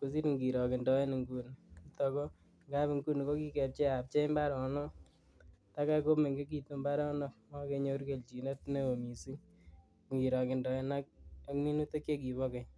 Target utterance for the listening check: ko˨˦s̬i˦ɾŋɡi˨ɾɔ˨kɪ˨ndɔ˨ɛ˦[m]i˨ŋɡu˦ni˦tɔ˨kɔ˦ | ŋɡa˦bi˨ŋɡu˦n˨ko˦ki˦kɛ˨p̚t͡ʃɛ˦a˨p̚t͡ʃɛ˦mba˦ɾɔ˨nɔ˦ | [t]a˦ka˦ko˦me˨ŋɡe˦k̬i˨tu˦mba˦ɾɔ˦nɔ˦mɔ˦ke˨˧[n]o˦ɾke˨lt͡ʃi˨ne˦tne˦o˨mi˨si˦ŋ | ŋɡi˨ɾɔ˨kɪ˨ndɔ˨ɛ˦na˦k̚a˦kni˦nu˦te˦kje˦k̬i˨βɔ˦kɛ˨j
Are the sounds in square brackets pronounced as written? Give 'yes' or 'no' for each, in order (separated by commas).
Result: no, yes, no